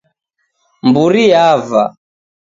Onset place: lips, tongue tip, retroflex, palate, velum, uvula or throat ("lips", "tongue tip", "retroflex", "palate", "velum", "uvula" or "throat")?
lips